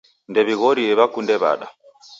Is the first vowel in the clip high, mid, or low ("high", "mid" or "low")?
mid